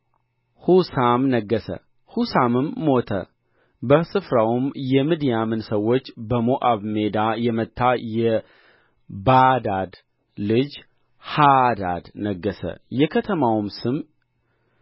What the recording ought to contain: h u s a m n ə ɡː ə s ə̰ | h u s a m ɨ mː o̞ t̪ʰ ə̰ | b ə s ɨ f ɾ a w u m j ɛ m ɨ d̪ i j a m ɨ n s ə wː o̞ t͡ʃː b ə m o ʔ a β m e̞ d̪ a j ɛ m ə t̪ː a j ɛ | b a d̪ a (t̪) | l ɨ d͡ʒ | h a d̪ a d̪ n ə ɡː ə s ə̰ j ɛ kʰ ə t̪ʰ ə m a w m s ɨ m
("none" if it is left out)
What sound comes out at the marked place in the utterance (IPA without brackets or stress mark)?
d̪